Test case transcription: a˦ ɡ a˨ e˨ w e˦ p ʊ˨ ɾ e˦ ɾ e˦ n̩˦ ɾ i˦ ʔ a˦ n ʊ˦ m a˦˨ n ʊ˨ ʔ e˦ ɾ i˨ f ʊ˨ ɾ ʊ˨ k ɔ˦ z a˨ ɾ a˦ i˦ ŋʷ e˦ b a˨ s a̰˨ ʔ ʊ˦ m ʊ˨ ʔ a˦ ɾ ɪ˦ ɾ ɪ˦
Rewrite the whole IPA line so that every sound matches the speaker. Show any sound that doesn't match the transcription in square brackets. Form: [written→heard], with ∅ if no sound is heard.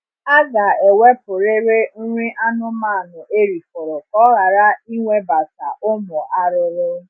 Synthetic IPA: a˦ ɡ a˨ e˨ w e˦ p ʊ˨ ɾ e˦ ɾ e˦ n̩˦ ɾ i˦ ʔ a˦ n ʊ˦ m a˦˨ n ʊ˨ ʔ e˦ ɾ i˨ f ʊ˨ ɾ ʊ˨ k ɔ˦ [z→ɣ] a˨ ɾ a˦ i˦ ŋʷ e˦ b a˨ s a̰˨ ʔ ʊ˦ m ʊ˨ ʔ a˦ ɾ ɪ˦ ɾ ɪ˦